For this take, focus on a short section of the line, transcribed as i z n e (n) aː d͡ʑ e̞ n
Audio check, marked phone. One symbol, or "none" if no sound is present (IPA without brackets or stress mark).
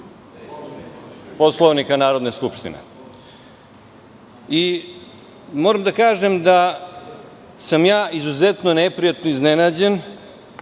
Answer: n